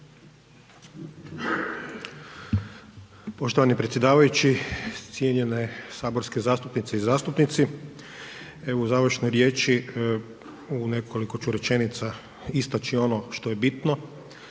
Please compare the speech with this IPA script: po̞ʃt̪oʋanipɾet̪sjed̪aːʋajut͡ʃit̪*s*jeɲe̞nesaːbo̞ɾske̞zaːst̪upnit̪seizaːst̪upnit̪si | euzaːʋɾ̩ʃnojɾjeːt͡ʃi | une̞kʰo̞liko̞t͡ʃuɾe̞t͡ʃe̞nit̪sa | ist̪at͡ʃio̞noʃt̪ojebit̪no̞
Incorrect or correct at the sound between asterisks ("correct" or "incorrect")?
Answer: correct